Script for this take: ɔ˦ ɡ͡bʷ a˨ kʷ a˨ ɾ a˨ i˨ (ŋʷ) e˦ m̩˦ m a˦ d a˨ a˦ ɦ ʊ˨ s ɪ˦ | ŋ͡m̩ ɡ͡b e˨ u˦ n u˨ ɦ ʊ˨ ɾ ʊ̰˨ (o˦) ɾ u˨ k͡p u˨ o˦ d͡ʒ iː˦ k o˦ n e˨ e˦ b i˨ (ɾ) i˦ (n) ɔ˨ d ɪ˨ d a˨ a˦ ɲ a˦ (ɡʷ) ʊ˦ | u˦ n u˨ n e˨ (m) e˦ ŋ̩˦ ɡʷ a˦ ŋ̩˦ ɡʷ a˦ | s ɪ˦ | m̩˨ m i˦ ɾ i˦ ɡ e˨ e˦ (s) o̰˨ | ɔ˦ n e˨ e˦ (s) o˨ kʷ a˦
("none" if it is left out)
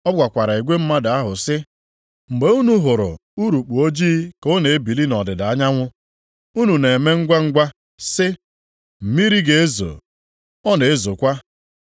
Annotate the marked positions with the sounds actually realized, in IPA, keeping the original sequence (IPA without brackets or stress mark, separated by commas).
ɡʷ, u˦, l, n, ŋʷ, m, z, z